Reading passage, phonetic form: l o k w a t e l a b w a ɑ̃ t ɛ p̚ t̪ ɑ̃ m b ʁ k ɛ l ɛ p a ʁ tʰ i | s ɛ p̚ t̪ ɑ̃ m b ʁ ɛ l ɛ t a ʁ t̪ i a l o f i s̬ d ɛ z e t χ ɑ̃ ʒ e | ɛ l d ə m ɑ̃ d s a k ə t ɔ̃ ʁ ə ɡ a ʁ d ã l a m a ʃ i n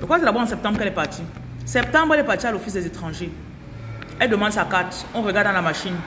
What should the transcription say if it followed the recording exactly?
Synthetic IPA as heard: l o k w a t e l a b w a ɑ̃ s ɛ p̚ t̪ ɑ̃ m b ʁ k ɛ l ɛ p a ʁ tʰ i | s ɛ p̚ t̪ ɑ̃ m b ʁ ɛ l ɛ p a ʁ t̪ i a l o f i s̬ d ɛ z e t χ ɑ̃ ʒ e | ɛ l d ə m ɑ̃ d s a k a t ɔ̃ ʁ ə ɡ a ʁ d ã l a m a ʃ i n